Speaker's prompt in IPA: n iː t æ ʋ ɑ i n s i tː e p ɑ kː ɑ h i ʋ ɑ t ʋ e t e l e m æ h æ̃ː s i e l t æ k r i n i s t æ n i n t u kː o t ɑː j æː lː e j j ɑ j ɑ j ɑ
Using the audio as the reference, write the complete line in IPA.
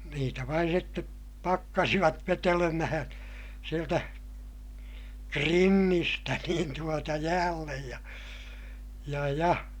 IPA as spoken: n iː t æ ʋ ɑ i n s i tː e p ɑ kː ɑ s i ʋ ɑ t ʋ e t e l e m æ h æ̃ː s i e l t æ k r i nː i s t æ n iː n t u o t ɑ j æː lː e j j ɑ j ɑ j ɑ